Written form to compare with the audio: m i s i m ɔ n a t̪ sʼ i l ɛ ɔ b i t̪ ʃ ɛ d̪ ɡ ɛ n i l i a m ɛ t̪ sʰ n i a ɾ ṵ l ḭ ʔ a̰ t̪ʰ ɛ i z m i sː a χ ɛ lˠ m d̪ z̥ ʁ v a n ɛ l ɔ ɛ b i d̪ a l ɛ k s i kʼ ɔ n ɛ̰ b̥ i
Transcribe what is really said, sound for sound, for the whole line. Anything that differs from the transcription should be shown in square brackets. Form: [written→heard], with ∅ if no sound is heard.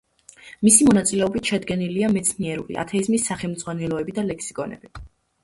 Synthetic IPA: m i s i m ɔ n a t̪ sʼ i l ɛ ɔ b i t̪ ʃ ɛ d̪ ɡ ɛ n i l i a m ɛ t̪ sʰ n i [a→ɛ] ɾ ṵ l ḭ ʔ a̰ t̪ʰ ɛ i z m i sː a χ ɛ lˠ m d̪ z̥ ʁ [v→w] a n ɛ l ɔ ɛ b i d̪ a l ɛ k s i kʼ ɔ n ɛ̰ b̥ i